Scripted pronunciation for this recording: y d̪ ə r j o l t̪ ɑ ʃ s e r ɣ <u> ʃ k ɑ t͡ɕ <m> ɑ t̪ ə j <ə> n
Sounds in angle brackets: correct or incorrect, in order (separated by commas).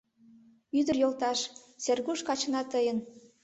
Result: correct, incorrect, correct